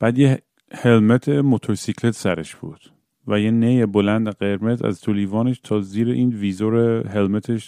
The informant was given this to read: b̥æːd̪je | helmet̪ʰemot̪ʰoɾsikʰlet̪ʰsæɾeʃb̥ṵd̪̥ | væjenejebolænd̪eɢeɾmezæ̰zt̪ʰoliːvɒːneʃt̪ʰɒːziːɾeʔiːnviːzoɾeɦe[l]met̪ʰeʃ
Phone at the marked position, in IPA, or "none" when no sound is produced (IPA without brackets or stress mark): l